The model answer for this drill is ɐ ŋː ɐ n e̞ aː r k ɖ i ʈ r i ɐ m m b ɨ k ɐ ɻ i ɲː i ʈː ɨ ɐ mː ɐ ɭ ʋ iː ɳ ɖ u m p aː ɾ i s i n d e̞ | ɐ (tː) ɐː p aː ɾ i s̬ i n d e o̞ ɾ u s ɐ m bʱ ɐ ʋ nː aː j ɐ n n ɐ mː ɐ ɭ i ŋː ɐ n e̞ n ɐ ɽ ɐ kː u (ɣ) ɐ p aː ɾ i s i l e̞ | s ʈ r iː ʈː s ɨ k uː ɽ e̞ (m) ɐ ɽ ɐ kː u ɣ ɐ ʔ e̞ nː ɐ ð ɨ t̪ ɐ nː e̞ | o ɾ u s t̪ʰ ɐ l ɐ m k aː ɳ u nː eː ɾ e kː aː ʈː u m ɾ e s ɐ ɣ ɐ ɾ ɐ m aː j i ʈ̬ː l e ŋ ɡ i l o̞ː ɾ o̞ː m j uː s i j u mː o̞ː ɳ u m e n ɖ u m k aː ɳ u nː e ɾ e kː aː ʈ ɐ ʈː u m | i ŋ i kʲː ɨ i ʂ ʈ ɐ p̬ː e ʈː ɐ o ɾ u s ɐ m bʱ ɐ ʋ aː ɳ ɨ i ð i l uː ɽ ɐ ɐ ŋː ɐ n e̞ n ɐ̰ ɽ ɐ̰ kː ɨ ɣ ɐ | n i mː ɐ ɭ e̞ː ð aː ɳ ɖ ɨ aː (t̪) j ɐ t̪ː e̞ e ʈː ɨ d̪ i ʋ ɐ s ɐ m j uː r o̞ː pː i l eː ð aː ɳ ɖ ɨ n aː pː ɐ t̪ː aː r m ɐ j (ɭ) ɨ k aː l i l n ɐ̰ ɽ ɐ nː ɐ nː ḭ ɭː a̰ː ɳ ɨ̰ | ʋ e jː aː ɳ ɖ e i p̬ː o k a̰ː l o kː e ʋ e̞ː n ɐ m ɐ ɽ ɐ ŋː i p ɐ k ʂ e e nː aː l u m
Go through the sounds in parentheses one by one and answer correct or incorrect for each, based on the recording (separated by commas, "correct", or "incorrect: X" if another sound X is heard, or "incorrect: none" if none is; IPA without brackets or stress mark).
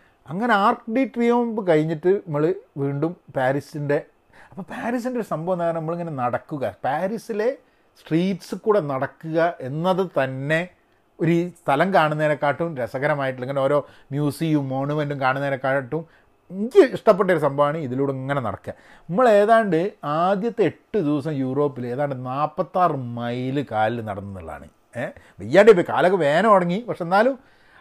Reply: incorrect: pː, correct, incorrect: n, incorrect: d̪, incorrect: l